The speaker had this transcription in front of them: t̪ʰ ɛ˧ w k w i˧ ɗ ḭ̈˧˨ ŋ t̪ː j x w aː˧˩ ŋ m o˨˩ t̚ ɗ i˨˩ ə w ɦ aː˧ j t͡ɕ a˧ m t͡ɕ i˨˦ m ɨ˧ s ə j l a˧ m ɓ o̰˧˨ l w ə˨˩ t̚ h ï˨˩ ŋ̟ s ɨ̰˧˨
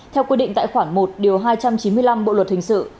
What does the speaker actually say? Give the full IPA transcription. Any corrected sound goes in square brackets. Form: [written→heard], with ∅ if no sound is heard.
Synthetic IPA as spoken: t̪ʰ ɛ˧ w k w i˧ ɗ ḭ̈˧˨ ŋ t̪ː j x w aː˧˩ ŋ m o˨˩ t̚ ɗ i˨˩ ə w ɦ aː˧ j t͡ɕ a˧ m t͡ɕ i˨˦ m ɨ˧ [s→∅] ə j l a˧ m ɓ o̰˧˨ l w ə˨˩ t̚ h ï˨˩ ŋ̟ s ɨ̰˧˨

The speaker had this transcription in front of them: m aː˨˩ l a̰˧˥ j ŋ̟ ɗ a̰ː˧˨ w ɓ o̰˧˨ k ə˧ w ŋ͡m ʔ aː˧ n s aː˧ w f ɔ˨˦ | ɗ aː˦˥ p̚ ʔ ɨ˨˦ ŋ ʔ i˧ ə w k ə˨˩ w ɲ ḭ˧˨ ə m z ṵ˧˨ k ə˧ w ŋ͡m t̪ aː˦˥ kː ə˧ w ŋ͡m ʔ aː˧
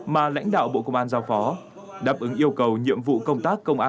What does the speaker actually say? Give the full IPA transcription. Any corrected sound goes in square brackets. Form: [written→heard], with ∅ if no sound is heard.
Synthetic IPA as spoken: m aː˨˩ l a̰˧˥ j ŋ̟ ɗ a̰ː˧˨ w ɓ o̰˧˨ k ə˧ w ŋ͡m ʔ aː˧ n [s→z] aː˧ w f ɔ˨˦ | ɗ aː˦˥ p̚ ʔ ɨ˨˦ ŋ ʔ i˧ ə w k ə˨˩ w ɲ ḭ˧˨ ə m [z→v] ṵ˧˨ k ə˧ w ŋ͡m t̪ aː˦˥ kː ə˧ w ŋ͡m ʔ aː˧

